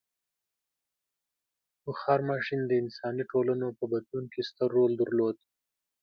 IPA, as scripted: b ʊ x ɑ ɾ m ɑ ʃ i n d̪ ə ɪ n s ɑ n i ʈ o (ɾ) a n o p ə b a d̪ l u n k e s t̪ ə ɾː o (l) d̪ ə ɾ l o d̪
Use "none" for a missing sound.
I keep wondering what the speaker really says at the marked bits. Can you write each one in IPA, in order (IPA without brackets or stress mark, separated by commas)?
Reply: l, l